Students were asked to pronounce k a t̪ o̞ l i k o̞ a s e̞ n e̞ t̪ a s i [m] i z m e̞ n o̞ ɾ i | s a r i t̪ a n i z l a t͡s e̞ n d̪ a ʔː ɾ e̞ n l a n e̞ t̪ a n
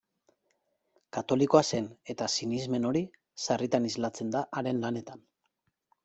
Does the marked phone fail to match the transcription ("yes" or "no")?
yes